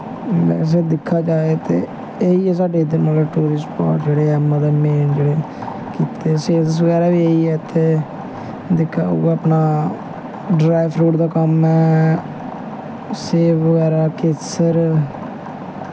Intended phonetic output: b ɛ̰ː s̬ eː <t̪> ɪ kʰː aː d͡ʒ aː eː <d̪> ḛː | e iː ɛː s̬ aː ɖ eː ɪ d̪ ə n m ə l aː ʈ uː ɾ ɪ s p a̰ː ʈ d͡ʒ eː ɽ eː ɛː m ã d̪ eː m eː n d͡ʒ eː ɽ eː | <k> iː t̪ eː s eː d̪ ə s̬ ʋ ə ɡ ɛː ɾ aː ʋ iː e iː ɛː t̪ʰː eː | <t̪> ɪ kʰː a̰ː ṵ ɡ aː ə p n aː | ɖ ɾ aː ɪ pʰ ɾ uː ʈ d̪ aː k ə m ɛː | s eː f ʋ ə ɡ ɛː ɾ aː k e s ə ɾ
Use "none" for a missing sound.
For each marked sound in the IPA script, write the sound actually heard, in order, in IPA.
d̪, t̪, k, d̪

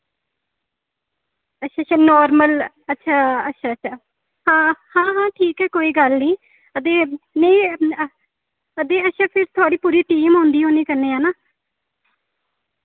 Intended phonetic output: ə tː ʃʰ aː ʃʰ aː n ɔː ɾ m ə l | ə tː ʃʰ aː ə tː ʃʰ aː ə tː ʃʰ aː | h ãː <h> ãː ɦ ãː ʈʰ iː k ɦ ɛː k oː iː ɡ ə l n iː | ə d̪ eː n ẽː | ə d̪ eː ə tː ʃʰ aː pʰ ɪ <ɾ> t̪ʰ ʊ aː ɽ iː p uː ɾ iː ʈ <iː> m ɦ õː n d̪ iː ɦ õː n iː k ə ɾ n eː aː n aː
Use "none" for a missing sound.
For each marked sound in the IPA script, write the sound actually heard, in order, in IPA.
h, ɾ, iː

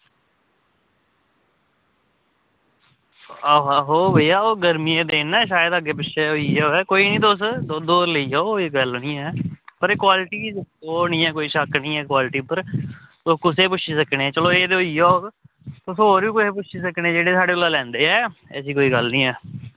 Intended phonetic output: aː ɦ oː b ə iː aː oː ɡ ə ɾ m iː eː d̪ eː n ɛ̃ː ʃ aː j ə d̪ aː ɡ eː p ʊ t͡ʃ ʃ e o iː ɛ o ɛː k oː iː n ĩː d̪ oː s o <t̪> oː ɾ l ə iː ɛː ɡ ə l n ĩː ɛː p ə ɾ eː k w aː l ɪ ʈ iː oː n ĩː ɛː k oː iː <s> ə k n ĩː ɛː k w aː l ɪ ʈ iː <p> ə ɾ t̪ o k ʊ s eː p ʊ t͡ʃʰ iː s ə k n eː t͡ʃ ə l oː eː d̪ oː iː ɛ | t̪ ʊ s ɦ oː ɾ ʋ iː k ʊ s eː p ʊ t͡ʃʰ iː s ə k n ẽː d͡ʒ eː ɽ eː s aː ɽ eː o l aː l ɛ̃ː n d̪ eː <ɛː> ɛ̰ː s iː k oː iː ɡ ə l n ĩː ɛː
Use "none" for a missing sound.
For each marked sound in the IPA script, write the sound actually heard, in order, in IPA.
d̪, ʃ, p, ɛː

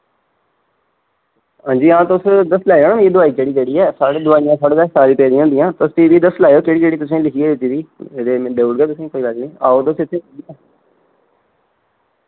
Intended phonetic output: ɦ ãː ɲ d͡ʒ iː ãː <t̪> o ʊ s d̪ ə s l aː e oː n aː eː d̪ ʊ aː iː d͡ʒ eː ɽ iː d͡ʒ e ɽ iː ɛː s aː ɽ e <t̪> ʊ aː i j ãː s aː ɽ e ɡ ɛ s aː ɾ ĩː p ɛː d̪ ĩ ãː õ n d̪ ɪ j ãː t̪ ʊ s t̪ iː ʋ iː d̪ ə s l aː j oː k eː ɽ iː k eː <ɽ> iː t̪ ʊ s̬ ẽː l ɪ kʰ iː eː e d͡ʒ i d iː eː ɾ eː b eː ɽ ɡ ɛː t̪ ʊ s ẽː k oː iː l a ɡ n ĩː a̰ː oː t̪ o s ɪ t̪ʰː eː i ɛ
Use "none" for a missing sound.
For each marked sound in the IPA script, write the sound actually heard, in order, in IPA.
t̪, d̪, ɽ

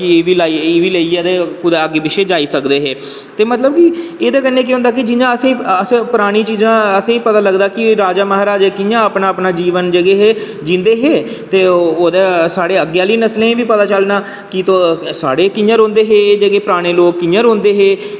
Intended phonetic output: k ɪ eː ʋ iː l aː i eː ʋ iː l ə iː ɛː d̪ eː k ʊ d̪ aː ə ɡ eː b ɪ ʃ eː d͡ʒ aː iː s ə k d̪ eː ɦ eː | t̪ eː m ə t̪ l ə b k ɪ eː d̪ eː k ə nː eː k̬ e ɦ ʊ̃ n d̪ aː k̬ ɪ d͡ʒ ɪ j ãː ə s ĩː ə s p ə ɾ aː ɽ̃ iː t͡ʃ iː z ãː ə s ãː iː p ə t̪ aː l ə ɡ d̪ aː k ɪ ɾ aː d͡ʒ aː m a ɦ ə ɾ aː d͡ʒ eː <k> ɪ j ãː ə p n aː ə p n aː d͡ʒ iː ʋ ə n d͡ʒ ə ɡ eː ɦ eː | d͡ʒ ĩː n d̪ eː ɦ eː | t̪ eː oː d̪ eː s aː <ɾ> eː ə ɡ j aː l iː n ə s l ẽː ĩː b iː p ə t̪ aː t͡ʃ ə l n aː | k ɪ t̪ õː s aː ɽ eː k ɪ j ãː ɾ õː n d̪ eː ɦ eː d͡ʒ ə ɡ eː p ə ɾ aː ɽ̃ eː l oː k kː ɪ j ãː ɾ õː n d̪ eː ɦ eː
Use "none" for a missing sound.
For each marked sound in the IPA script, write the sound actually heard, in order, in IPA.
k, ɽ

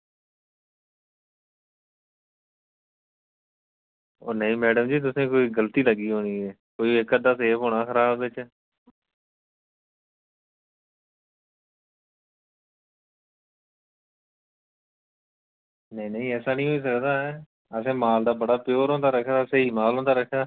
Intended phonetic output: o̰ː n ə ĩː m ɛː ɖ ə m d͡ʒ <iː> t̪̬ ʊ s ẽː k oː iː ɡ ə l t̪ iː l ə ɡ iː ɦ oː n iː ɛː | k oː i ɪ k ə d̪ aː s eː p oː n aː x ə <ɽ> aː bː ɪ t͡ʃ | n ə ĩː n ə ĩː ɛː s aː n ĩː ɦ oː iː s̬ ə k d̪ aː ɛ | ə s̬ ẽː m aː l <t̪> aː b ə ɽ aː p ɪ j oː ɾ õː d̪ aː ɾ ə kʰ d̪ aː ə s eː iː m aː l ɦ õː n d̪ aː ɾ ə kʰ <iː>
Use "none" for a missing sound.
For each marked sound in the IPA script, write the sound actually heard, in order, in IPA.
iː, ɾ, d̪, aː

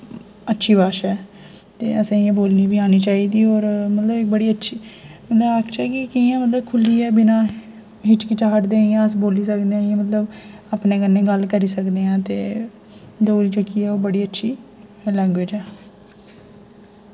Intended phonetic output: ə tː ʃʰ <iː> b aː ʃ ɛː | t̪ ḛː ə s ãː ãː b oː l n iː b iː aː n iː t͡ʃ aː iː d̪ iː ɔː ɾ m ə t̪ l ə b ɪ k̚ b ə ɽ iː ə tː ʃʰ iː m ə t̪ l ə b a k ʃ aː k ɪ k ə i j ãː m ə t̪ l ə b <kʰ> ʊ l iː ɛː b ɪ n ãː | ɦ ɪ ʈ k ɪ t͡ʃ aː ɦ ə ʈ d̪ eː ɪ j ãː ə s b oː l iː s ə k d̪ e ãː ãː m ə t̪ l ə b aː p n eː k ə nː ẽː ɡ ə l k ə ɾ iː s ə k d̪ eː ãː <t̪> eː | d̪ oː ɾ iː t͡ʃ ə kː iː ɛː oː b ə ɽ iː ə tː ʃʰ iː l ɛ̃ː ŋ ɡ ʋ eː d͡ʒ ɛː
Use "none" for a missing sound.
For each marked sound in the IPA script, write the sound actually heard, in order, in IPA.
iː, kʰ, t̪

